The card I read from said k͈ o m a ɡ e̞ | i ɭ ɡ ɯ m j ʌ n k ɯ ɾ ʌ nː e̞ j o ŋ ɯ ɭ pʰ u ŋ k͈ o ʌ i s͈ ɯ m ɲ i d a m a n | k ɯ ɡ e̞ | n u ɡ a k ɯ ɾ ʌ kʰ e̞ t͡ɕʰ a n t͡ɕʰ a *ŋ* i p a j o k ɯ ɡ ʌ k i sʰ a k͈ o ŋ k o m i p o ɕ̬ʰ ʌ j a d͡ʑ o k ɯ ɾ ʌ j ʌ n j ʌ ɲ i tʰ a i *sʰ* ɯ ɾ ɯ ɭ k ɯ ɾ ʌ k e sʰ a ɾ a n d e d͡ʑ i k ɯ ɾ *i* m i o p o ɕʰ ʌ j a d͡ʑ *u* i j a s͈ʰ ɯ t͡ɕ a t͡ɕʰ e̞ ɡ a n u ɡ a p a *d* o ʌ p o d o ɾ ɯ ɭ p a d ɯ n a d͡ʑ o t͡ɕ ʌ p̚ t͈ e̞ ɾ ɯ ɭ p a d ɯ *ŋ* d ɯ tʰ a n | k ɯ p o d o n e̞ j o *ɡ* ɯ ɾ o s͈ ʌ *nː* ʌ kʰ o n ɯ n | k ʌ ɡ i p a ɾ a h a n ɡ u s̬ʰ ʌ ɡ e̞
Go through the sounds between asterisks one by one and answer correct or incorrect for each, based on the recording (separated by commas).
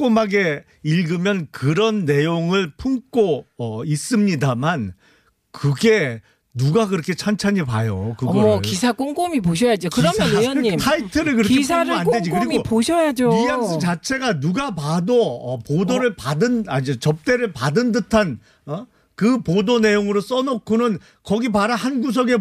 incorrect, incorrect, correct, incorrect, correct, incorrect, incorrect, incorrect